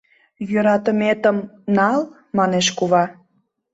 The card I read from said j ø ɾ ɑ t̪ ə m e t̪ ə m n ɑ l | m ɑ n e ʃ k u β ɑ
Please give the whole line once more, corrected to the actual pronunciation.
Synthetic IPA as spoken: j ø ɾ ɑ t̪ ə m e t̪ ə m n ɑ l | m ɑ n e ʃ k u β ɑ